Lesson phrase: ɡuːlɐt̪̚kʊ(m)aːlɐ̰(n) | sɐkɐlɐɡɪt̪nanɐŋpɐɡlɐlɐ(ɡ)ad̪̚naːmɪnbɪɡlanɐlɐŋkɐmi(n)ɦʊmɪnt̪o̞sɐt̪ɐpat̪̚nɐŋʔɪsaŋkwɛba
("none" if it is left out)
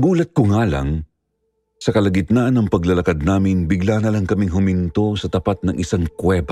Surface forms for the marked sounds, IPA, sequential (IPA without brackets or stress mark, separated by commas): ŋ, ŋ, k, ŋ